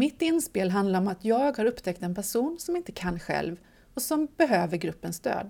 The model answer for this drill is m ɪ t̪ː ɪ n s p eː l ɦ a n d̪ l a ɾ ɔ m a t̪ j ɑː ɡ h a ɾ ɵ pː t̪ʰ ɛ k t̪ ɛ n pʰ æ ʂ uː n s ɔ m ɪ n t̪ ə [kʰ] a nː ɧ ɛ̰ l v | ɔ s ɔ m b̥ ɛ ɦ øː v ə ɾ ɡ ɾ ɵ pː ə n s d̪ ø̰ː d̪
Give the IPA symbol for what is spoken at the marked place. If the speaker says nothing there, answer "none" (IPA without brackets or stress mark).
kʰ